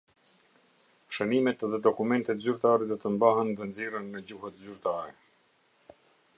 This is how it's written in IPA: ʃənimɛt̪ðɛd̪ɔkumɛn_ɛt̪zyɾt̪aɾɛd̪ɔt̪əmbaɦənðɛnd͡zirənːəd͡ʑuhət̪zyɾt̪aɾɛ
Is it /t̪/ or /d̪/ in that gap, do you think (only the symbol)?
t̪